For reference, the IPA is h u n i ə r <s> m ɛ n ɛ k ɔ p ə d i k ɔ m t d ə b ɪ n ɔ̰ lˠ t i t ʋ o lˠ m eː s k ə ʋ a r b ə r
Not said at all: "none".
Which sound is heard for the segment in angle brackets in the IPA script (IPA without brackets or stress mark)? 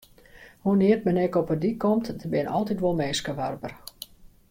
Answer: t